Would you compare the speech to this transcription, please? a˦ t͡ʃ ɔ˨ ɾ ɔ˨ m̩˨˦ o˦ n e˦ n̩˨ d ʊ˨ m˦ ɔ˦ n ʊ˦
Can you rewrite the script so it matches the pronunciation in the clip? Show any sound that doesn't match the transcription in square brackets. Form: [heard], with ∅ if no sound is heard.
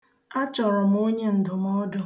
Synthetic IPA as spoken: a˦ t͡ʃ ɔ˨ ɾ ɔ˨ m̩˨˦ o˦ [ɲ] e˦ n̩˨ d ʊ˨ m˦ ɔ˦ [d] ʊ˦